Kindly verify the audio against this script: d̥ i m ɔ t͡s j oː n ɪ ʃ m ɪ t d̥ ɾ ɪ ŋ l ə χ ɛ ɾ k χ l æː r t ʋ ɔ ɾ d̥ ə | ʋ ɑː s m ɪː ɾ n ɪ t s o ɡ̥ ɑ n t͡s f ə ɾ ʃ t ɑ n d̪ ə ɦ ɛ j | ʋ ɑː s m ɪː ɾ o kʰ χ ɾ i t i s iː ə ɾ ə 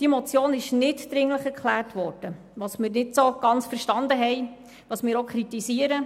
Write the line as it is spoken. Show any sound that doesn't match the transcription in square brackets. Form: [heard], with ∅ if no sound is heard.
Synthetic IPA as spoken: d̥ i m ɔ t͡s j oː n ɪ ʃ [n] ɪ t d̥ ɾ ɪ ŋ l ə χ ɛ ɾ k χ l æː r t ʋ ɔ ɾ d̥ ə | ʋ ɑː s m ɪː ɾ n ɪ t s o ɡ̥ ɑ n t͡s f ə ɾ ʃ t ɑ n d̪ ə ɦ ɛ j | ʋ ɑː s m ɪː ɾ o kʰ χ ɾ i t i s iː ə ɾ ə